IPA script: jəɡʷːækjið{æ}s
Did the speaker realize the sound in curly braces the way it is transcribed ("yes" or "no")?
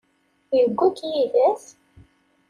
yes